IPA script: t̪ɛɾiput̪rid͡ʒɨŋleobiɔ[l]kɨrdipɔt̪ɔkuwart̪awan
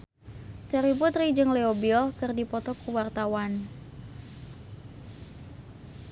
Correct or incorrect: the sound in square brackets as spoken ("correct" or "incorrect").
correct